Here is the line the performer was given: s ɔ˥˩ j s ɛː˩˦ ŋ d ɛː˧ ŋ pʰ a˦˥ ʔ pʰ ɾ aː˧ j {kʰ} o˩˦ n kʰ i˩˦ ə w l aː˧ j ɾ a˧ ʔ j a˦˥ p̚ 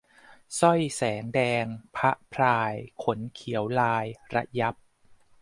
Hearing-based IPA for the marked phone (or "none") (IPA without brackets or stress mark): kʰ